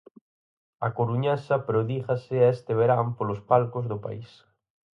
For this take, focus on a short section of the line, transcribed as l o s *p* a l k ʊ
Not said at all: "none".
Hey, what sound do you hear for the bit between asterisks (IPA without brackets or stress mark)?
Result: p